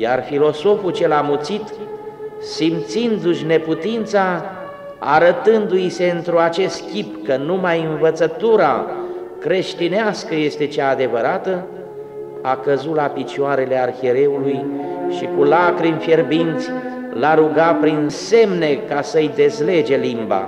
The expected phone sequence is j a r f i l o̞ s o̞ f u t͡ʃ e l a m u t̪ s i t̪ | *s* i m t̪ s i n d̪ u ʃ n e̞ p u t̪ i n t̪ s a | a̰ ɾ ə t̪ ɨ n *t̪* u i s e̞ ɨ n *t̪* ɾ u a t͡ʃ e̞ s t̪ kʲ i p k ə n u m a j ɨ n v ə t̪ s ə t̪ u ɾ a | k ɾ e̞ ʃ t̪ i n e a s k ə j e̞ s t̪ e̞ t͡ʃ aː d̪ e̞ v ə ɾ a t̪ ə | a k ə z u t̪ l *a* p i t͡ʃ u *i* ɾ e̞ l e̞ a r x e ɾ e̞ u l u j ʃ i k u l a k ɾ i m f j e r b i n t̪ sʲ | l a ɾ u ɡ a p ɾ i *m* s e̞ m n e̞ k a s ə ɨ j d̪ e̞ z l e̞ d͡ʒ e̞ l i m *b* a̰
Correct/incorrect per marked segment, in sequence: correct, incorrect, correct, correct, incorrect, incorrect, correct

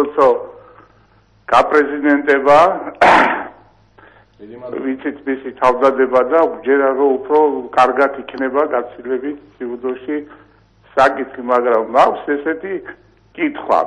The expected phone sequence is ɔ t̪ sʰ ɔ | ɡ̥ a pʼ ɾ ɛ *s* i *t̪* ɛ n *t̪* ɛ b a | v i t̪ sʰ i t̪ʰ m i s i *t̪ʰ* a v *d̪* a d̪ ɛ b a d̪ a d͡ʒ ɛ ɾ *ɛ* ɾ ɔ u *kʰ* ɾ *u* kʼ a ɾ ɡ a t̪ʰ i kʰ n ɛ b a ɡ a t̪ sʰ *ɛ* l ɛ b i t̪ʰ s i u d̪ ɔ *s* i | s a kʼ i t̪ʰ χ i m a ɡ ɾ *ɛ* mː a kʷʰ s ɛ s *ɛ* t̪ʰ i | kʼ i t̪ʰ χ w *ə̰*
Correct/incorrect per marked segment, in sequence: incorrect, incorrect, incorrect, correct, correct, incorrect, incorrect, incorrect, incorrect, incorrect, incorrect, correct, incorrect

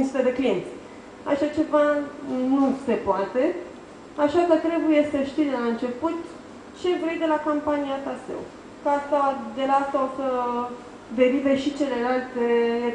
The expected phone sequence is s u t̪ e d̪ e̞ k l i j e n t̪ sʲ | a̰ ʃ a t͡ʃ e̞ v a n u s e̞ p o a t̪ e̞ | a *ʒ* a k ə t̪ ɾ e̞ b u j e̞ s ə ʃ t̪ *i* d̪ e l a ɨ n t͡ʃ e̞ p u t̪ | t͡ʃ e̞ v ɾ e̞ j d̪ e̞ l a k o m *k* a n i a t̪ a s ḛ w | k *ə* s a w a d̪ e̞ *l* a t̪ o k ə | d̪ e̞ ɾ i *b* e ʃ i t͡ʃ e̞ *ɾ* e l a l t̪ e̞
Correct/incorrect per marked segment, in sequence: incorrect, correct, incorrect, incorrect, correct, incorrect, incorrect

